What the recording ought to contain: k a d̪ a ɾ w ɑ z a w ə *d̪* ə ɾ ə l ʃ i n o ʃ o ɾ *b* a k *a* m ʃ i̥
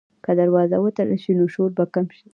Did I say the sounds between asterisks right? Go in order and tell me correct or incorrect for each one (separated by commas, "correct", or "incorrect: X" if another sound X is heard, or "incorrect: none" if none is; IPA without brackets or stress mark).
incorrect: t̪, correct, correct